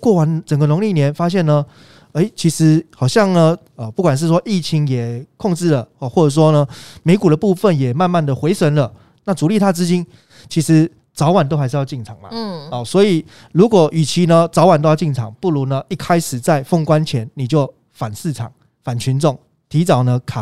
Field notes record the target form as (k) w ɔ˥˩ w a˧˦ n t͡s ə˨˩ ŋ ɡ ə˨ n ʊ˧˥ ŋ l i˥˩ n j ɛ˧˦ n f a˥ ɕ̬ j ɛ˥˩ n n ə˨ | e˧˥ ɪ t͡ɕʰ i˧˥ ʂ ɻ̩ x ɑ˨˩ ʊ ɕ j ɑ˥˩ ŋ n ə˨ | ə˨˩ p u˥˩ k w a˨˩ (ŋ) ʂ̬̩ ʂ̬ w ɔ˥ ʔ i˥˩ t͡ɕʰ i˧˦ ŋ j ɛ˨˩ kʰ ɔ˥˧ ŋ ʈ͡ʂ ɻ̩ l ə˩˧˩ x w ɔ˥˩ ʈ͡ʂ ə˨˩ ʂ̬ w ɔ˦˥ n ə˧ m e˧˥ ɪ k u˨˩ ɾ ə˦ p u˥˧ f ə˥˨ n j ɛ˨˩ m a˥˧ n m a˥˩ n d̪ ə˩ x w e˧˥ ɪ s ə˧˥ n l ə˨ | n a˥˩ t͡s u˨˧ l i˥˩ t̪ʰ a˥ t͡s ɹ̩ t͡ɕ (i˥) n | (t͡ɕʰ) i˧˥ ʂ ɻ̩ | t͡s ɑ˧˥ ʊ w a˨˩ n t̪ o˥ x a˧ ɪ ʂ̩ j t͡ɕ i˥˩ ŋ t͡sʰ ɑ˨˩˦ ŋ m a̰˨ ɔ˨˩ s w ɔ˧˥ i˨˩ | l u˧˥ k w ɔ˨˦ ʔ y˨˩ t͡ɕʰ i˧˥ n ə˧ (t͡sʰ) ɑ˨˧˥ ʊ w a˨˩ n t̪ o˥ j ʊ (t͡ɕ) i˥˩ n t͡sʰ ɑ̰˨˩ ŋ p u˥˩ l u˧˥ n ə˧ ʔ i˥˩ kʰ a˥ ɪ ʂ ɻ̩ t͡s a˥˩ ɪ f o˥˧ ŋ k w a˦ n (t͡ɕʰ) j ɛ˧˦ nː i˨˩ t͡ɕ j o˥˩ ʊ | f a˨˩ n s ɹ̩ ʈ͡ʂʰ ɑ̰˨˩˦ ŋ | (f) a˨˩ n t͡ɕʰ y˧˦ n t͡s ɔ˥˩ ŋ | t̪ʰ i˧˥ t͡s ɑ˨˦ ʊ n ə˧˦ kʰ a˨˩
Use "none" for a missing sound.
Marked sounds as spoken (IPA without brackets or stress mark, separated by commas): k, n, i˥, t͡ɕʰ, t͡s, t͡ɕ, t͡ɕʰ, f